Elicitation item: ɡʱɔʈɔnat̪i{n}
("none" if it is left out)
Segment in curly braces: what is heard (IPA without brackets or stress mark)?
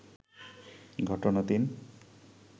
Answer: n